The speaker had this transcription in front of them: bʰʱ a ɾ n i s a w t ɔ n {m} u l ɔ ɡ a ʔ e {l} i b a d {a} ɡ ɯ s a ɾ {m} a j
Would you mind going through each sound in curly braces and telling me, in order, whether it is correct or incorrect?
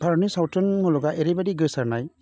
correct, incorrect: ɾ, incorrect: i, incorrect: n

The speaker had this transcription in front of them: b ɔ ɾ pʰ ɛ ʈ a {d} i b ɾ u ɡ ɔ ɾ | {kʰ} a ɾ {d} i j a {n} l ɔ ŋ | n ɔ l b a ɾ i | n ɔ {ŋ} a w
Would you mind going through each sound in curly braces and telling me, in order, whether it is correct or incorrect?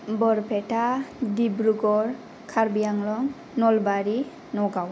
correct, correct, incorrect: b, incorrect: ŋ, incorrect: ɡ

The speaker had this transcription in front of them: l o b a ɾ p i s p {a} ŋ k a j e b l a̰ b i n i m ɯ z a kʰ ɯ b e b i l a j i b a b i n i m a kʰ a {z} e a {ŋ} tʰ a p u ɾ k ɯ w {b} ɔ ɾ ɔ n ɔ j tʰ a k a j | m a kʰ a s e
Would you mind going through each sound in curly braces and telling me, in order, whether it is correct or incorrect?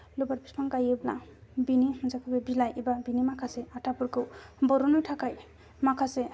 correct, incorrect: s, incorrect: none, correct

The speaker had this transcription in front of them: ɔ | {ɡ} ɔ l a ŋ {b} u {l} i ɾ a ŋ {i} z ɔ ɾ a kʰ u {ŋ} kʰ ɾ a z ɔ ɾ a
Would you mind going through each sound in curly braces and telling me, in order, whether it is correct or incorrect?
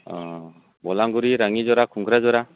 incorrect: b, incorrect: ɡ, incorrect: ɾ, correct, correct

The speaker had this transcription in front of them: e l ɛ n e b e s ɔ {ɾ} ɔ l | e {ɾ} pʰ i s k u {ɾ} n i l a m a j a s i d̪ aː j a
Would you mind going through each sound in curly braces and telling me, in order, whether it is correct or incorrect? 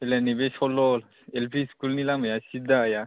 incorrect: l, incorrect: l, incorrect: l

